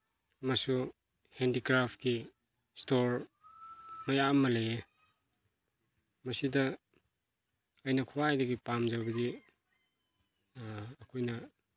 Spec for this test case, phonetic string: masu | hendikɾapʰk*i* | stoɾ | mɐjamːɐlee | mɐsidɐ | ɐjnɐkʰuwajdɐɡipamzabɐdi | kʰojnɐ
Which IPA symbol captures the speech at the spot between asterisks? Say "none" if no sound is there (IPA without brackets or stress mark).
i